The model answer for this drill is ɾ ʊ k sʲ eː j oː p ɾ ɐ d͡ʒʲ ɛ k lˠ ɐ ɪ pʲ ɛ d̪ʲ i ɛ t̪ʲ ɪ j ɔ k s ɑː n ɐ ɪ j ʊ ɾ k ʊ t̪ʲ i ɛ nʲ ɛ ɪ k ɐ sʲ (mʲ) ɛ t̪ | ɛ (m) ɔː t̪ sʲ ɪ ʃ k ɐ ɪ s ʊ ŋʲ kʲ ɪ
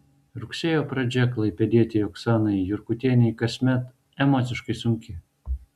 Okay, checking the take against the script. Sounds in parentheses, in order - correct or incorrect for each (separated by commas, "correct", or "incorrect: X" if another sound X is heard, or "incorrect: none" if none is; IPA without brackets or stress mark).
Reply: correct, correct